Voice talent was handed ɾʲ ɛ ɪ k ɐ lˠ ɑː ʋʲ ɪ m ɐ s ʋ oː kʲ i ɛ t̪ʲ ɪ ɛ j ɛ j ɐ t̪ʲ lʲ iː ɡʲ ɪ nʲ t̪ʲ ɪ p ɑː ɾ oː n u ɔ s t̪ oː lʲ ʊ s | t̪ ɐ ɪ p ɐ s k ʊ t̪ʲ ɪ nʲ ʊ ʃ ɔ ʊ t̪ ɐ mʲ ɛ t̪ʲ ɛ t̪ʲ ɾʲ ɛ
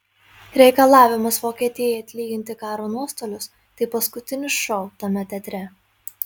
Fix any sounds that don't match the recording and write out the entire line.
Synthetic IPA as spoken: ɾʲ ɛ ɪ k ɐ lˠ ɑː ʋʲ ɪ m ɐ s ʋ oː kʲ i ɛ t̪ʲ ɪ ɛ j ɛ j ɐ t̪ʲ lʲ iː ɡʲ ɪ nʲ t̪ʲ ɪ k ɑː ɾ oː n u ɔ s t̪ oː lʲ ʊ s | t̪ ɐ ɪ p ɐ s k ʊ t̪ʲ ɪ nʲ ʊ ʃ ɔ ʊ t̪ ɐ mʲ ɛ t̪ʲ ɛ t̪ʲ ɾʲ ɛ